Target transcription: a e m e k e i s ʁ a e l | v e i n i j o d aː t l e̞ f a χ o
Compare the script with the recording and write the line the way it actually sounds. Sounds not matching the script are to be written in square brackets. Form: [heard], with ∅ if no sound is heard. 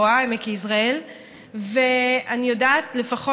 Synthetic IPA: a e m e k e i s ʁ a e l | v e [a] n i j o d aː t l e̞ f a χ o